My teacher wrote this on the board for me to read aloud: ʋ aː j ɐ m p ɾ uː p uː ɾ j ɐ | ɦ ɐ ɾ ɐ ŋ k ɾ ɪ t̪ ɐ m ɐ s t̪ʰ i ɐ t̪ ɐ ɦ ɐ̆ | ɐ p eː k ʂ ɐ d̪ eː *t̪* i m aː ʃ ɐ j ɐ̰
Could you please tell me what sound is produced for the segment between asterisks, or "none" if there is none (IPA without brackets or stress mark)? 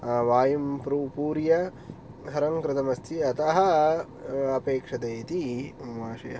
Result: t̪